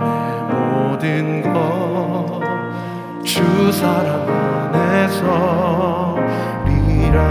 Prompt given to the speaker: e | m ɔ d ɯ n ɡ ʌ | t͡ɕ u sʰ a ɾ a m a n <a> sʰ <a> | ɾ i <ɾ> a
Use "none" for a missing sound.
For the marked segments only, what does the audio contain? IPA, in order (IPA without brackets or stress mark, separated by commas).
e, ʌ, ɾ